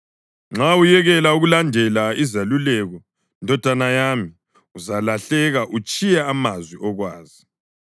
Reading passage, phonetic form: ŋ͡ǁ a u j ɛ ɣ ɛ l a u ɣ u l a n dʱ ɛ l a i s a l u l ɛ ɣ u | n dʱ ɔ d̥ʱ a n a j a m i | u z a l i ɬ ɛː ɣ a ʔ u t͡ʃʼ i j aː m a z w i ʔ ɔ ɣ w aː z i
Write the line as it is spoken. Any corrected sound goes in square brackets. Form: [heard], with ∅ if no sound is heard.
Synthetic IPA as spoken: ŋ͡ǁ a u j ɛ ɣ ɛ l a u ɣ u l a n dʱ ɛ l a i [z] a l u l ɛ ɣ [ɔ] | n dʱ ɔ d̥ʱ a n a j a m i | u z a l [a] ɬ [ɛ] ɣ a ʔ u t͡ʃʼ i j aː m a z w i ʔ ɔ ɣ w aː z i